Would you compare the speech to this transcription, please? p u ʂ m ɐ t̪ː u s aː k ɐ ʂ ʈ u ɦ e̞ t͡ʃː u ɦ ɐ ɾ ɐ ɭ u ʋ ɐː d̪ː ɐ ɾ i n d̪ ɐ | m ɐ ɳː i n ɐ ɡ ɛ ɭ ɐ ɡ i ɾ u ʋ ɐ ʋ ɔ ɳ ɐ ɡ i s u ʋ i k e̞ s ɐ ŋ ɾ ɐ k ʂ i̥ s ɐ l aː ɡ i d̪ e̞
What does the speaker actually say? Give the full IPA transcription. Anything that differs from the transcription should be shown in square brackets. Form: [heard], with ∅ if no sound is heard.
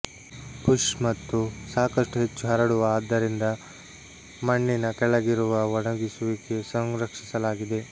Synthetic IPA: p u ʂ m ɐ t̪ː u s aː k ɐ ʂ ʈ u ɦ e̞ t͡ʃː u ɦ ɐ ɾ ɐ [ɽ] u ʋ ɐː d̪ː ɐ ɾ i n d̪ ɐ | m ɐ ɳː i n ɐ [k] ɛ ɭ ɐ ɡ i ɾ u ʋ ɐ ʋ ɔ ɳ ɐ ɡ i s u ʋ i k e̞ s ɐ ŋ ɾ ɐ k ʂ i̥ s ɐ l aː ɡ i d̪ e̞